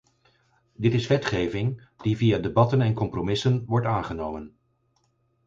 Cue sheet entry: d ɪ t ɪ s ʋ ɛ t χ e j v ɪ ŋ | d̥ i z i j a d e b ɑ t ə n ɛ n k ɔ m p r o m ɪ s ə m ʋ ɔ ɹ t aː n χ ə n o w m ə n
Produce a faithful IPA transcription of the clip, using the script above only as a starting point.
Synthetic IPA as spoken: d ɪ t ɪ s ʋ ɛ t χ e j v ɪ ŋ | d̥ i v i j a d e b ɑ t ə n ɛ n k ɔ m p r o m ɪ s ə n ʋ ɔ ɹ t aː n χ ə n o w m ə n